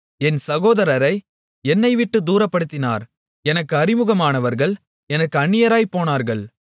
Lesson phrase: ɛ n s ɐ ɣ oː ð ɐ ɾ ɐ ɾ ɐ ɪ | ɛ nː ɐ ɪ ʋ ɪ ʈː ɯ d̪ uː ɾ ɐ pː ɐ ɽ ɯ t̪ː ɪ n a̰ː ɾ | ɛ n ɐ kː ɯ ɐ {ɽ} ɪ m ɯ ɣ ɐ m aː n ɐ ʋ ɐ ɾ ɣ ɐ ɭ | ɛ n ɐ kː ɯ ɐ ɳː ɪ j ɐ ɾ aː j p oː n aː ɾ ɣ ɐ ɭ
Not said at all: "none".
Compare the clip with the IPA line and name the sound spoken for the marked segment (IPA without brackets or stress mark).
ɾ